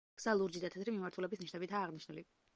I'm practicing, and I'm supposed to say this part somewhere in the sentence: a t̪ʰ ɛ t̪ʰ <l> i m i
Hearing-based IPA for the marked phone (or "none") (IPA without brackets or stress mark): ɾ